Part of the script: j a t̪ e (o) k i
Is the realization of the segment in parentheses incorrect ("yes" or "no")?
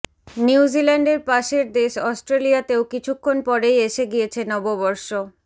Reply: no